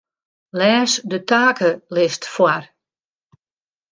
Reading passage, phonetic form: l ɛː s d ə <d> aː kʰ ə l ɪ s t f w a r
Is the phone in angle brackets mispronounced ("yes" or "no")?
yes